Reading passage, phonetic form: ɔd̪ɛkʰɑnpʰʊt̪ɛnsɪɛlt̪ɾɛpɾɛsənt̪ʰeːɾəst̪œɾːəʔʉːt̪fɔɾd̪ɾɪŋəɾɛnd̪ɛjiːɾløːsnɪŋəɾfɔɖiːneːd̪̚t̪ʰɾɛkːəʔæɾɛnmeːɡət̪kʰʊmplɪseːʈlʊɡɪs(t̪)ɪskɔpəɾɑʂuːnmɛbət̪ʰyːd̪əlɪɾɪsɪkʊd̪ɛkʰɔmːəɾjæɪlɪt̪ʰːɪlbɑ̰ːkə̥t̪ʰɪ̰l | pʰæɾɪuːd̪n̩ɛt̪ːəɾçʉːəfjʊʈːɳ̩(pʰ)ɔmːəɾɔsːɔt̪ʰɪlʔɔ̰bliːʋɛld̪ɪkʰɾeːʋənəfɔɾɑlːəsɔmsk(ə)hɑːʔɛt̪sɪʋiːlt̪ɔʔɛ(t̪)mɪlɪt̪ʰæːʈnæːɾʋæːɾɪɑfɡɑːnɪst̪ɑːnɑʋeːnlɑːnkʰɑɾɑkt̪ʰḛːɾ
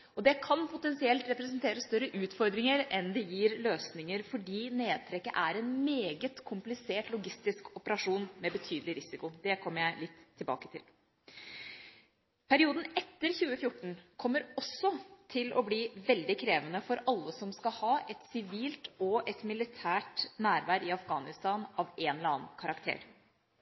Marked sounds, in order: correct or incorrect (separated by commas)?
correct, incorrect, incorrect, correct